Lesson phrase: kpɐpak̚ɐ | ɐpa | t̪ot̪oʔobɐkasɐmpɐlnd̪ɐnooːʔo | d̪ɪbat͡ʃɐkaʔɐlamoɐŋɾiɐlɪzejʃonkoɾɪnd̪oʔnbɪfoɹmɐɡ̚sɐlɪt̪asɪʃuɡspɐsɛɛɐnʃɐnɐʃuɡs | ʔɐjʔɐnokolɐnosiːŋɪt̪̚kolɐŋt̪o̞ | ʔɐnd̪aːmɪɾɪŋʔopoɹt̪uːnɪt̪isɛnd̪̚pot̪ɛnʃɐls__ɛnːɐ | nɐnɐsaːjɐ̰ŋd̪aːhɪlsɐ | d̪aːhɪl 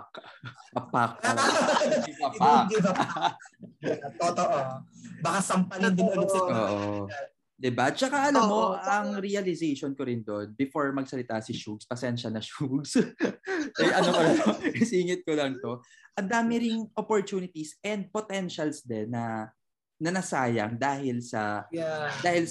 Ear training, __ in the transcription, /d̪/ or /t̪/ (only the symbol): d̪